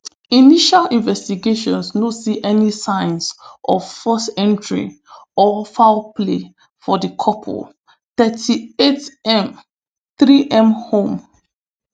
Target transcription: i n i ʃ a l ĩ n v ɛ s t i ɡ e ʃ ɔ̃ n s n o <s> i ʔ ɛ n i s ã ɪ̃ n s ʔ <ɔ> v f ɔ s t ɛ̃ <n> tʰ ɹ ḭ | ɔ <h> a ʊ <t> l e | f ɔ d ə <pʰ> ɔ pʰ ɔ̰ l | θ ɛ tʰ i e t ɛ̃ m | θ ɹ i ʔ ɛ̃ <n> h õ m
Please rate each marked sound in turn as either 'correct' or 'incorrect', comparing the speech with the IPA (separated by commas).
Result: correct, correct, correct, incorrect, incorrect, incorrect, incorrect